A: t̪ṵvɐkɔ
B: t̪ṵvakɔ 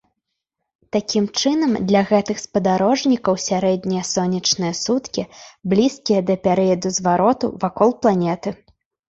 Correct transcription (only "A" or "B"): B